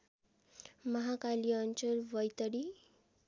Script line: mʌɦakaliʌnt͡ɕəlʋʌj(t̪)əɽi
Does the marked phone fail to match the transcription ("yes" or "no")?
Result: no